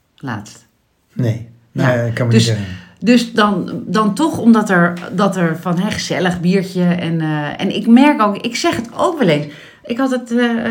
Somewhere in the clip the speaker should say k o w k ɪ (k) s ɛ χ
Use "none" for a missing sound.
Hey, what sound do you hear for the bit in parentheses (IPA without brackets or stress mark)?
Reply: k